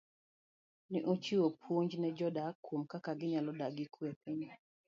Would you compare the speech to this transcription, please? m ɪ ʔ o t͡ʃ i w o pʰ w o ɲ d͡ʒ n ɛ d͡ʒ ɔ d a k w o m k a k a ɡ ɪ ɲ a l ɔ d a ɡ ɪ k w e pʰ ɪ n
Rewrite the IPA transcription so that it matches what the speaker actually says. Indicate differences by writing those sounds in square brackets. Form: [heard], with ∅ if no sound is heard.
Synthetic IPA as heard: [n] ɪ ʔ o t͡ʃ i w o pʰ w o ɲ d͡ʒ n ɛ d͡ʒ ɔ d a k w o m k a k a ɡ ɪ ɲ a l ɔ d a ɡ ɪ k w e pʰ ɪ [ɲ]